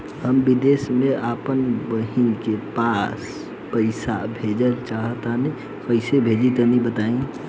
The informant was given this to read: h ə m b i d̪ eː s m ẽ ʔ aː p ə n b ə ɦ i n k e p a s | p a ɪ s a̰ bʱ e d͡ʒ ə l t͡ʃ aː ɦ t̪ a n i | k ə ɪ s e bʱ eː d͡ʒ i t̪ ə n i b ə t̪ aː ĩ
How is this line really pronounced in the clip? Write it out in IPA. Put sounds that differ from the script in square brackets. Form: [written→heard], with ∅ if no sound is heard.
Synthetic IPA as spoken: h ə m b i d̪ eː s m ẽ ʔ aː p ə n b ə ɦ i n k e p a s | p [a→ə] ɪ s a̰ bʱ e d͡ʒ ə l t͡ʃ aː ɦ t̪ a n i | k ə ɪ s e bʱ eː d͡ʒ i t̪ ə n i b ə t̪ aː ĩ